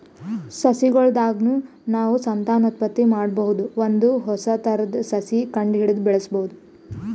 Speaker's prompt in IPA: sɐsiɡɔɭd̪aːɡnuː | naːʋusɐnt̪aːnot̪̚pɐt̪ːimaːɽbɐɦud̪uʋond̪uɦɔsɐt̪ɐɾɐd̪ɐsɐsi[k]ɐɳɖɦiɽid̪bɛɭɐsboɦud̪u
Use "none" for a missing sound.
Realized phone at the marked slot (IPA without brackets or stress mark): k